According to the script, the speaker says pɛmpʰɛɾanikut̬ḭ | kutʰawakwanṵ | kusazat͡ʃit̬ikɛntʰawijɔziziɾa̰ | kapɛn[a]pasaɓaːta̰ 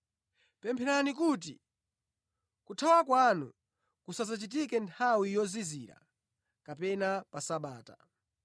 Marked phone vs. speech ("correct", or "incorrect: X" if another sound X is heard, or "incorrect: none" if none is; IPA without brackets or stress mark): correct